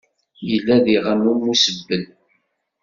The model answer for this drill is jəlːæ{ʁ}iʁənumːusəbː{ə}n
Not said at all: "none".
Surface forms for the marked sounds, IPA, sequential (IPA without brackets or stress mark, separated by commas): ð, ə